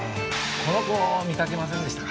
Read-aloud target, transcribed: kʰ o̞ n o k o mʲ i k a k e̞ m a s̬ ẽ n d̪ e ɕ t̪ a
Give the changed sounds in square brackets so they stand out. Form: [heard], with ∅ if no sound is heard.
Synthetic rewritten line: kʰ o̞ n o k o mʲ i k a k e̞ m a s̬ ẽ n d̪ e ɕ t̪ a

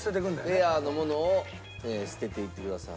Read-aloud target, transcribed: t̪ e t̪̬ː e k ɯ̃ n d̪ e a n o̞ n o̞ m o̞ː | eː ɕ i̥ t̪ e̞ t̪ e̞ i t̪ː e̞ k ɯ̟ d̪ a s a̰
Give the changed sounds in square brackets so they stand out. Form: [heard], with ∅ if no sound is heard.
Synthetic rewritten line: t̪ e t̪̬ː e k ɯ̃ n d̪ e a n o̞ [m] o̞ [n] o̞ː | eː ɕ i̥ t̪ e̞ t̪ e̞ i t̪ː e̞ k ɯ̟ d̪ a s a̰

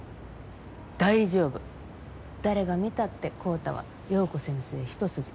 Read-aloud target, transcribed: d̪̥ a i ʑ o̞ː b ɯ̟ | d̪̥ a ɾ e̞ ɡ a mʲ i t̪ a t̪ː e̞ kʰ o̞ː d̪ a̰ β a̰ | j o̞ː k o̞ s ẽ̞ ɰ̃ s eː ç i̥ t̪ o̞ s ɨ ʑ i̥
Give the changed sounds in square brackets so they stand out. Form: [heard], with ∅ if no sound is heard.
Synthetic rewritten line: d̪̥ a i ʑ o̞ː b ɯ̟ | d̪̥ a ɾ e̞ ɡ a mʲ i t̪ a t̪ː e̞ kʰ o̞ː [t̪] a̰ β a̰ | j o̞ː k o̞ s ẽ̞ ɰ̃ s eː ç i̥ t̪ o̞ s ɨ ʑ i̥

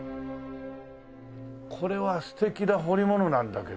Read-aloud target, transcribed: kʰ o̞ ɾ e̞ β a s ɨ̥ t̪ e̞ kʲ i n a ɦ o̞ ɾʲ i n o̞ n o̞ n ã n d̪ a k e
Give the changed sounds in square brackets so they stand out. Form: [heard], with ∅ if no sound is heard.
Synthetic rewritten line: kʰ o̞ ɾ e̞ β a s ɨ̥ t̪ e̞ kʲ i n a ɦ o̞ ɾʲ i [m] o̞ n o̞ n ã n d̪ a k e

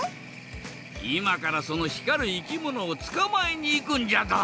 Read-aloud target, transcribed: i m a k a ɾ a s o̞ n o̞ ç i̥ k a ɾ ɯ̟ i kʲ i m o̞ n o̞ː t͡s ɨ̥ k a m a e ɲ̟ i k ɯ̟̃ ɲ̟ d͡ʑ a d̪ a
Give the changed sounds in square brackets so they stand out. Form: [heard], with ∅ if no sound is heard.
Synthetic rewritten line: i m a k a ɾ a s o̞ n o̞ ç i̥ k a ɾ ɯ̟ i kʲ i m o̞ n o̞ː t͡s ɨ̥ k a m a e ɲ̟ [iː] k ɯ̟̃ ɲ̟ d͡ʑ a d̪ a

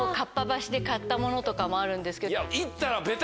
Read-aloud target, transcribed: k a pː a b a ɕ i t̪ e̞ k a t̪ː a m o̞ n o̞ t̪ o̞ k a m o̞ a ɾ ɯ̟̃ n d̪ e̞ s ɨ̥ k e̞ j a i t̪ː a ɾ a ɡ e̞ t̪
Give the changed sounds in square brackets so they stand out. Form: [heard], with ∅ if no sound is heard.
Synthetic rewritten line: k a pː a b a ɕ i [d̪] e̞ k a t̪ː a m o̞ n o̞ t̪ o̞ k a m o̞ a ɾ ɯ̟̃ n d̪ e̞ s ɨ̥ k e̞ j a i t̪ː a ɾ a [b] e̞ t̪

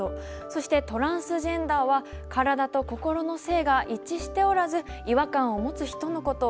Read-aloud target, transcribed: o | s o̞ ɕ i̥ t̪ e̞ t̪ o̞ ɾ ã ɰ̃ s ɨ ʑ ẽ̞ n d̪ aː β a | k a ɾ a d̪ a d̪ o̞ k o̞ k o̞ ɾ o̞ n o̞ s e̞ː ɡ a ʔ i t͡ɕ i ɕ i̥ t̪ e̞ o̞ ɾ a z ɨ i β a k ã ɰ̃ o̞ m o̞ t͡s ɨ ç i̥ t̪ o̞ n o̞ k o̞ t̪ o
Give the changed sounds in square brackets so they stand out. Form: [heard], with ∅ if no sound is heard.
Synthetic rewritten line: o | s o̞ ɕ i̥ t̪ e̞ t̪ o̞ ɾ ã ɰ̃ s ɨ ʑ ẽ̞ n d̪ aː β a | k a ɾ a d̪ a [t̪] o̞ k o̞ k o̞ ɾ o̞ n o̞ s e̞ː ɡ a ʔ i t͡ɕ i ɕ i̥ t̪ e̞ o̞ ɾ a z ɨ i β a k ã ɰ̃ o̞ m o̞ t͡s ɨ ç i̥ t̪ o̞ n o̞ k o̞ t̪ o

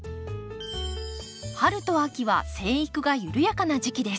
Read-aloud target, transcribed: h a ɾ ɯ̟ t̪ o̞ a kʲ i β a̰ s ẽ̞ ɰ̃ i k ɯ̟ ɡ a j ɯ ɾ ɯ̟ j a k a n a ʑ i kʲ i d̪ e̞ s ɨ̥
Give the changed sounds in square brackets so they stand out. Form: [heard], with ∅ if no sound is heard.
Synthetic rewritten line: h a ɾ ɯ̟ t̪ o̞ a kʲ i β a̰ s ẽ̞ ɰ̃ i k ɯ̟ ɡ a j ɯ ɾ ɯ̟ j a k a n a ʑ i kʲ i d̪ e̞ s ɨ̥

